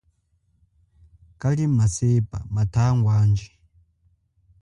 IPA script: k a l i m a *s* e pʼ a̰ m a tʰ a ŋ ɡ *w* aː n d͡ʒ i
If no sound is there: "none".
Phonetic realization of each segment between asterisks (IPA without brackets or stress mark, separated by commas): s, w